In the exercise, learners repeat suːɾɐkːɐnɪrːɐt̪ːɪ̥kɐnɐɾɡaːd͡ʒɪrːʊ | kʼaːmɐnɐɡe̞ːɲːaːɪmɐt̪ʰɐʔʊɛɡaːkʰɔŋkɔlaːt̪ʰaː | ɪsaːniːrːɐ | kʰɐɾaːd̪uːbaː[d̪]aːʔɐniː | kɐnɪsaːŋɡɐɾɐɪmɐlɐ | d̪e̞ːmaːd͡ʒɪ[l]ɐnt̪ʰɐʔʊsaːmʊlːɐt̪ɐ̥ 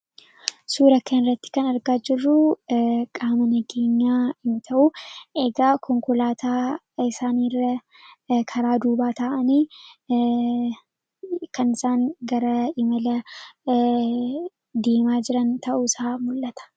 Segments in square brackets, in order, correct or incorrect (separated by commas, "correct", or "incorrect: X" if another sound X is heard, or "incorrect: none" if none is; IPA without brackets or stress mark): incorrect: t̪, incorrect: ɾ